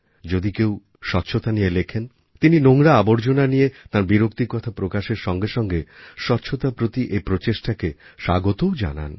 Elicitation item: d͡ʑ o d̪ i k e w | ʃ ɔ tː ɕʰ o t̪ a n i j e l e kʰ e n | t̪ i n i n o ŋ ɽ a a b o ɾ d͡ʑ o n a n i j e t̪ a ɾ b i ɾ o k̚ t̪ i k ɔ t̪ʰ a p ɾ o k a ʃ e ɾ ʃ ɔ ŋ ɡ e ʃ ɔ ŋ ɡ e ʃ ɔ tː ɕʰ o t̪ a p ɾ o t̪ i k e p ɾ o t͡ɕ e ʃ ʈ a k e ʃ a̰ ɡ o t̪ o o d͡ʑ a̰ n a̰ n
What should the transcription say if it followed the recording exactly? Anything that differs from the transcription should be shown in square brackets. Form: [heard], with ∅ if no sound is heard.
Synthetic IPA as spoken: d͡ʑ o d̪ i k e w | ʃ ɔ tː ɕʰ o t̪ a n i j e l e kʰ e n | t̪ i n i n o ŋ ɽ a a b o ɾ d͡ʑ o n a n i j e t̪ a ɾ b i ɾ o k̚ t̪ i k ɔ t̪ʰ a p ɾ o k a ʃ e ɾ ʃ ɔ ŋ ɡ e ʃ ɔ ŋ ɡ e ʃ ɔ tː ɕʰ o t̪ a p ɾ o t̪ i [ʔ] e p ɾ o t͡ɕ e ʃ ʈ a k e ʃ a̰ ɡ o t̪ o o d͡ʑ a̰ n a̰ n